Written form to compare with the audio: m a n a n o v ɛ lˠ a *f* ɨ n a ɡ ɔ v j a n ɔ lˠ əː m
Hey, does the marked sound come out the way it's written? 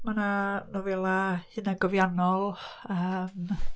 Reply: no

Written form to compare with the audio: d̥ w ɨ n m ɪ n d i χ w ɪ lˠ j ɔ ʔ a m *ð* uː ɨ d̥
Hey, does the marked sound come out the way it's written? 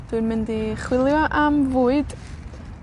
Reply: no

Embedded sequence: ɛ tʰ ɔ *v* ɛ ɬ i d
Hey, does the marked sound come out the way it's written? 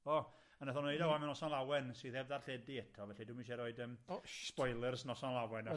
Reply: yes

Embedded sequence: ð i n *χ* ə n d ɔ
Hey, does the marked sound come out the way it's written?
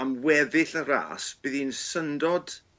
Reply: no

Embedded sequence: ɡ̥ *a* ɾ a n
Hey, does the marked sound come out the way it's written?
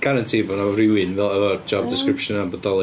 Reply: yes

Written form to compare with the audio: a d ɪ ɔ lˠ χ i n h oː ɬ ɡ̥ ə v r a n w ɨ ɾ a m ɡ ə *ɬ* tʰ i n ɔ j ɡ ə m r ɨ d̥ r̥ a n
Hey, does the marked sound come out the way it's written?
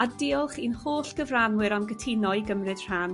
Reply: no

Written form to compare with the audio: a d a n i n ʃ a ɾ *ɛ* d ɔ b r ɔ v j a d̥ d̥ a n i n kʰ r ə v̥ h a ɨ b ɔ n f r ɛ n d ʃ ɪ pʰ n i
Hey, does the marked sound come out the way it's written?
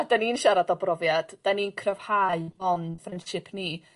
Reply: no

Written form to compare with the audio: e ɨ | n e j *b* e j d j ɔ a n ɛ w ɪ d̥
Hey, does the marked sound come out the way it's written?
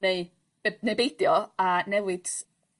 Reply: yes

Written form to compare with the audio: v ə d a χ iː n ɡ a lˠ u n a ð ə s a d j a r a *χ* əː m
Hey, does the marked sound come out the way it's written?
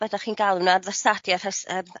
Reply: no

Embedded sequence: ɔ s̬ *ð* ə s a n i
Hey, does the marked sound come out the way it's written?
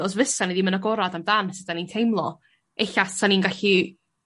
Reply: no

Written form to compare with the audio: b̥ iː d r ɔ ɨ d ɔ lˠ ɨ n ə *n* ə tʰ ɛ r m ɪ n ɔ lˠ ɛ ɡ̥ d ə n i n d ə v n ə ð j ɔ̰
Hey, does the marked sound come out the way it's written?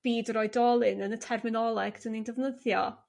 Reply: yes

